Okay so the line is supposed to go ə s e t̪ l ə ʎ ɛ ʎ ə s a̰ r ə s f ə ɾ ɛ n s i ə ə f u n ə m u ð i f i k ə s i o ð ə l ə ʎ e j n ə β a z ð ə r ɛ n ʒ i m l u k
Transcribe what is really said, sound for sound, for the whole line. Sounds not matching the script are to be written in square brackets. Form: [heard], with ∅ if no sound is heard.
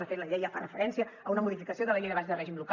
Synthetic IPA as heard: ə [f] e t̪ l ə ʎ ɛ [j] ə [f] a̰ r ə [∅] f ə ɾ ɛ n s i ə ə [∅] u n ə m u ð i f i k ə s i o ð ə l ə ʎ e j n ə β a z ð ə r ɛ [∅] ʒ i m l u k